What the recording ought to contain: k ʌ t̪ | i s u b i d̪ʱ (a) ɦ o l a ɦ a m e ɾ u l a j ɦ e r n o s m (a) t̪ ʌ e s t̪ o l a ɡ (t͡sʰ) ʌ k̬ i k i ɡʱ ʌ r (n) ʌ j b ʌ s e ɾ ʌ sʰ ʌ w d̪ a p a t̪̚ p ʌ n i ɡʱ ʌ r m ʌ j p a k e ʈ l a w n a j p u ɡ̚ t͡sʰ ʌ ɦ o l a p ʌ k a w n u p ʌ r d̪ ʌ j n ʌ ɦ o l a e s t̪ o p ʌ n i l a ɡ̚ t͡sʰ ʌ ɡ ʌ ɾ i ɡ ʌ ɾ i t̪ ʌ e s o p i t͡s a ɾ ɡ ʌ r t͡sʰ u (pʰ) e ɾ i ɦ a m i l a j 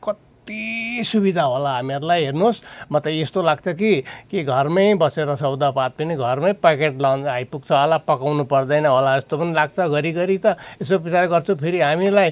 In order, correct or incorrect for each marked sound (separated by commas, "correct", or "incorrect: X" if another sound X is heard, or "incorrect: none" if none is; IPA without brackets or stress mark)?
correct, incorrect: ʌ, correct, incorrect: m, correct